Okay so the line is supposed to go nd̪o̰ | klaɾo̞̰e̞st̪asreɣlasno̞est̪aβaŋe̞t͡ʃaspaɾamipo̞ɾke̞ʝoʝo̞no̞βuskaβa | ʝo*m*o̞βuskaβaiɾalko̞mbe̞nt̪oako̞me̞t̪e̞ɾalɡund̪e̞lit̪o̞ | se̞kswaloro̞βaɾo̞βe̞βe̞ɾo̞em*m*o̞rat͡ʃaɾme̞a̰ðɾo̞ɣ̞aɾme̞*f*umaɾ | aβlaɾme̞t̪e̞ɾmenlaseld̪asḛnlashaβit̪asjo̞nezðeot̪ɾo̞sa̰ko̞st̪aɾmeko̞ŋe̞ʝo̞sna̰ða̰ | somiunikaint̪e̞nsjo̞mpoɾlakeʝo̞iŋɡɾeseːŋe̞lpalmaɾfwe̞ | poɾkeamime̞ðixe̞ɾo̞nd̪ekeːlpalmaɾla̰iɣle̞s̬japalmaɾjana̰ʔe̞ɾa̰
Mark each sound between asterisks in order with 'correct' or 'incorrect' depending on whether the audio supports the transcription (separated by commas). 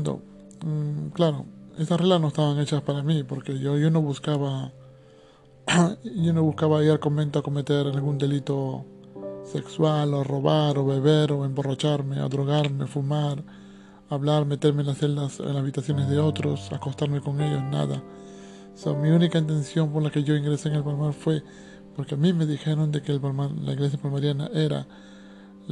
incorrect, incorrect, correct